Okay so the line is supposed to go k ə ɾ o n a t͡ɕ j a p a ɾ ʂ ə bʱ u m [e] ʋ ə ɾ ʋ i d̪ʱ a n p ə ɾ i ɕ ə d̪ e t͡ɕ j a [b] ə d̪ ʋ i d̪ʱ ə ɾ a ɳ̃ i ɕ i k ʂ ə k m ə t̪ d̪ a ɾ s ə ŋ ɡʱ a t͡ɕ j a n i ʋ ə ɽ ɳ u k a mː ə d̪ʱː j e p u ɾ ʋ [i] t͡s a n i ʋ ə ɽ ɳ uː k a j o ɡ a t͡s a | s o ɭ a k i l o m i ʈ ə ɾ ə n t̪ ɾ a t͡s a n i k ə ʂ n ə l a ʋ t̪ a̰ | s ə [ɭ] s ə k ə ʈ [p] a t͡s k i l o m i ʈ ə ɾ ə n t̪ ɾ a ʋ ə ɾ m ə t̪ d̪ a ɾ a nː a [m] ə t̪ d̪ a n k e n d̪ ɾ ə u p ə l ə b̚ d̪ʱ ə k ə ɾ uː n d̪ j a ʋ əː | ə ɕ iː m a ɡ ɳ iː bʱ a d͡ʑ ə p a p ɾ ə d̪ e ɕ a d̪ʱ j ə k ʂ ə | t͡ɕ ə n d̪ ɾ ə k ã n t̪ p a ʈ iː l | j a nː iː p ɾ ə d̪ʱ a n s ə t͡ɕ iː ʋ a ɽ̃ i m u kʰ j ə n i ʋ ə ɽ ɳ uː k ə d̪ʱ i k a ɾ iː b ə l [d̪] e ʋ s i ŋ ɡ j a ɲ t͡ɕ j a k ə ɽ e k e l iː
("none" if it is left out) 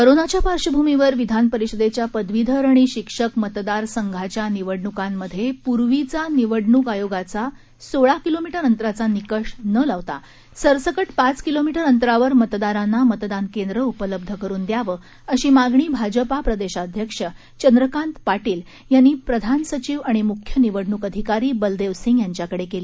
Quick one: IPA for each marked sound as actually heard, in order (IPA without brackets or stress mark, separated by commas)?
i, p, i, ɾ, p, m, d̪